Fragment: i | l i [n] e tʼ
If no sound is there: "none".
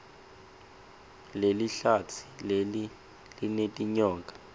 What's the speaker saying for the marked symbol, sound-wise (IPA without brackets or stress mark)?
n